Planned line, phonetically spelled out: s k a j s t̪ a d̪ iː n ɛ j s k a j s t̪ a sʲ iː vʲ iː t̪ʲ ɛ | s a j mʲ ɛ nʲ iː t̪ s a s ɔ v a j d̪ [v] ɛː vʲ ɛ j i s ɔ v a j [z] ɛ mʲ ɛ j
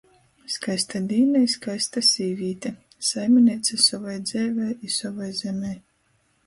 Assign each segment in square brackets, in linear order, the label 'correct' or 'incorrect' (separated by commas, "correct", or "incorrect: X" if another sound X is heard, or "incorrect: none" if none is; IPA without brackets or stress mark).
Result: incorrect: z, correct